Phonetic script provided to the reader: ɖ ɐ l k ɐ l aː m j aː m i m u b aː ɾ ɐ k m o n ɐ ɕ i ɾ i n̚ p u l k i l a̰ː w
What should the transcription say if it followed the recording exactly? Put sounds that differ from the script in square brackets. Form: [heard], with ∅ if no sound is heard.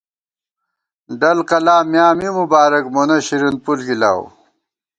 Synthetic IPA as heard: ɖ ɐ l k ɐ l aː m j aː m i m u b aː ɾ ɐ k m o n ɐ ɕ i ɾ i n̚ p u l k i l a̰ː w

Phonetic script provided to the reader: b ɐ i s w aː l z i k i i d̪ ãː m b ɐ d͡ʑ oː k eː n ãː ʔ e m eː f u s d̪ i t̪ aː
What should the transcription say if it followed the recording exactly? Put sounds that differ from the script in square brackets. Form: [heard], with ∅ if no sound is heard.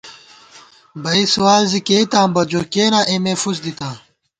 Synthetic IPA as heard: b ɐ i s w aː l z i k [e] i [t̪] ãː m b ɐ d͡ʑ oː k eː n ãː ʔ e m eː f u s d̪ i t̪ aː

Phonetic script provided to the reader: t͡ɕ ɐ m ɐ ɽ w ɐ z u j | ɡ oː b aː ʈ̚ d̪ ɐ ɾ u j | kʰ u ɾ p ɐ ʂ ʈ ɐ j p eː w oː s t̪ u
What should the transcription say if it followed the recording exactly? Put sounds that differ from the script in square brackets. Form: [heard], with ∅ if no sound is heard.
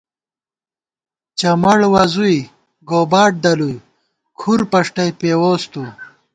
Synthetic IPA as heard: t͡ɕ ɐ m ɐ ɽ w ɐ z u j | ɡ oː b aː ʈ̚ d̪ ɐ [l] u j | kʰ u ɾ p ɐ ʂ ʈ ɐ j p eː w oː s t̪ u

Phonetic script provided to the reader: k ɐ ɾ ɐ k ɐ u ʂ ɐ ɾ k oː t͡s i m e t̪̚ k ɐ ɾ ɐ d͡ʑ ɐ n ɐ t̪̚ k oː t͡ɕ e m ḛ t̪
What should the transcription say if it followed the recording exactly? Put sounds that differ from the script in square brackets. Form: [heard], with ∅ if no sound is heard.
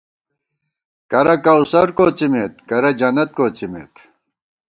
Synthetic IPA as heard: k ɐ ɾ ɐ k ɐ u [s] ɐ ɾ k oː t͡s i m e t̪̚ k ɐ ɾ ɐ d͡ʑ ɐ n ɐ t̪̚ k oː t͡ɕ [i] m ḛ t̪

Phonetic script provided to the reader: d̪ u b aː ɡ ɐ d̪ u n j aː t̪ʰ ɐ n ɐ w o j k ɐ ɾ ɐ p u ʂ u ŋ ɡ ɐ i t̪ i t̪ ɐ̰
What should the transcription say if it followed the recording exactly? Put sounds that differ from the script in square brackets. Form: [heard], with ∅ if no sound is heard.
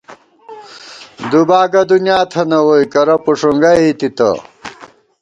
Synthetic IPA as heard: d̪ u b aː ɡ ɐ d̪ u n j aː t̪ʰ ɐ n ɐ w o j k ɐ ɾ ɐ p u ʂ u ŋ ɡ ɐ i t̪ i t̪ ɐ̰

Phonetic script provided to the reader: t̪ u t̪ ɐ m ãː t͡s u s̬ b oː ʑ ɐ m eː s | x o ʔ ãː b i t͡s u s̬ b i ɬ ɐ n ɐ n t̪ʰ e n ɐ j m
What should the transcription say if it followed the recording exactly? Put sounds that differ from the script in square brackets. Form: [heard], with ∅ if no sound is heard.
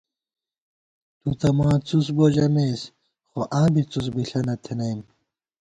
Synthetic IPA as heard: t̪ u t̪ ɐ m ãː t͡s u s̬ b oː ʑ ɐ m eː s | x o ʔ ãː b i t͡s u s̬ b i ɬ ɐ n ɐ [∅] t̪ʰ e n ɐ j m

